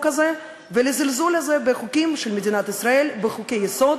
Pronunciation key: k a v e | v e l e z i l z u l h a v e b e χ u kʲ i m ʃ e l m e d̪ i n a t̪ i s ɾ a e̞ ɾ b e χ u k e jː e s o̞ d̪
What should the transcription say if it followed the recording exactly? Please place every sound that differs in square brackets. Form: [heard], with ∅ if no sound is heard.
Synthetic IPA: k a [z] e | v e l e z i l z u l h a [z] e b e χ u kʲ i m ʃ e l m e d̪ i n a t̪ i s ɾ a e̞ [l] b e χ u k e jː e s o̞ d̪